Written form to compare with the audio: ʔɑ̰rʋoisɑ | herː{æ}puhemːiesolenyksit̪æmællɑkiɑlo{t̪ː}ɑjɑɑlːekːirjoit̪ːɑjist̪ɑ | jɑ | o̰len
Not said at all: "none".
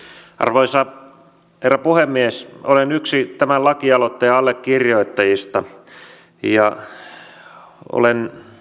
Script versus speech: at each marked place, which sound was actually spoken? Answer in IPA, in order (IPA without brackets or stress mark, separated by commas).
æ, t̪ː